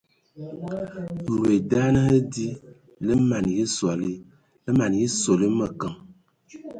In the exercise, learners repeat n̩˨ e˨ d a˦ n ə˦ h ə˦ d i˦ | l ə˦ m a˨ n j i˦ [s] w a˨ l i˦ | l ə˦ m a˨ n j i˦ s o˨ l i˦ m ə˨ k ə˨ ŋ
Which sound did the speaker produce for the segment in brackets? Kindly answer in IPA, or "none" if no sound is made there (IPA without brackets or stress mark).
s